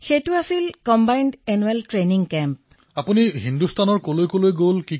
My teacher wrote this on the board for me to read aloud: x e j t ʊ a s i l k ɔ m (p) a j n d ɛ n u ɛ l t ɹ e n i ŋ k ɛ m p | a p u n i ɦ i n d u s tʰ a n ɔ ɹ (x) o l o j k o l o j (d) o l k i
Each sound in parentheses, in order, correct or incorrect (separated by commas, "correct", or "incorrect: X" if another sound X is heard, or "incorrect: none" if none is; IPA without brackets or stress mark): incorrect: b, incorrect: k, incorrect: ɡ